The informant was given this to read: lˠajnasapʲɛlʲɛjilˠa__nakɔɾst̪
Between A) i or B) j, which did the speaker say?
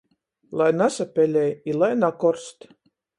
B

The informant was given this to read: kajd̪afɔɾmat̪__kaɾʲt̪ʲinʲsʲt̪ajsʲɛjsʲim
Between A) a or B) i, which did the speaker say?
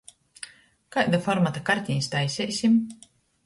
A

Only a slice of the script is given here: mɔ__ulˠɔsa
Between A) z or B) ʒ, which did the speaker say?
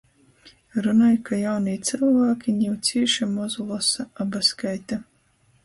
A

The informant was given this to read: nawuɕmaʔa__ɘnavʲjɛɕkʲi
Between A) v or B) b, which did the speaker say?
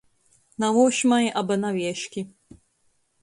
B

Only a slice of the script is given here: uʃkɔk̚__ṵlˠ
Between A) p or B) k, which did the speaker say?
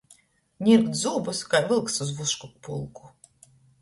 A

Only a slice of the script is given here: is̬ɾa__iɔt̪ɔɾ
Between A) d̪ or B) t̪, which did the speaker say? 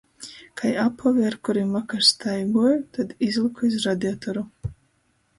A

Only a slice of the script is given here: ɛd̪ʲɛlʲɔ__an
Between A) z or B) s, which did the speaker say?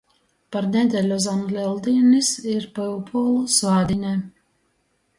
A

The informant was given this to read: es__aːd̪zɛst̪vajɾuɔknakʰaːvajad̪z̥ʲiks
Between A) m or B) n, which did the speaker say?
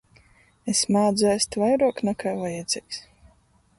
A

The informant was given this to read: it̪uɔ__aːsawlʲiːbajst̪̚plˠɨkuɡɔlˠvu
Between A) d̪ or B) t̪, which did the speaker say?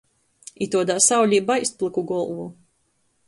A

